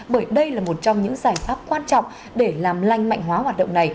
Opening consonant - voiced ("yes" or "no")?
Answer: yes